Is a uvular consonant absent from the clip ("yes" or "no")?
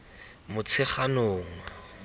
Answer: no